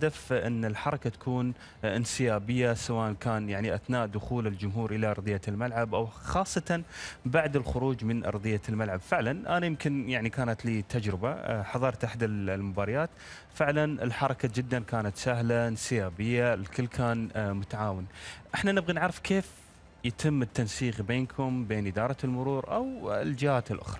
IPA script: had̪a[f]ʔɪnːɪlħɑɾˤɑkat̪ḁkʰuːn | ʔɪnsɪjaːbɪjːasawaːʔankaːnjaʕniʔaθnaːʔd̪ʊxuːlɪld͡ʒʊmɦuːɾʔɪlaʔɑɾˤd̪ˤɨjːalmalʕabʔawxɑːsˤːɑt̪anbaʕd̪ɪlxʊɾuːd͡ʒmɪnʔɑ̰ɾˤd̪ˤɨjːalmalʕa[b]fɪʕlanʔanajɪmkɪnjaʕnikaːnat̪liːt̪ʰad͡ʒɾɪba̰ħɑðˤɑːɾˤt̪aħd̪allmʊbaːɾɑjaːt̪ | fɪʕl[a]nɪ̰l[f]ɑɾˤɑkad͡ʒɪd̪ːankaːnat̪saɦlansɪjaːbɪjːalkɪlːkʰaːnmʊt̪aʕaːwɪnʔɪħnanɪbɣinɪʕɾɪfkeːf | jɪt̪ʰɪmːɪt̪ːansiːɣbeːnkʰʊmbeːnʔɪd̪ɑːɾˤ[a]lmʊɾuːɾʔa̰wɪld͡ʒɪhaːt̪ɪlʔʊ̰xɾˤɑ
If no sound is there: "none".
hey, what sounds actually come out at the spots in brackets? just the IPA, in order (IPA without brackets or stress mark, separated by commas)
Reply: f, b, a, ħ, ɑ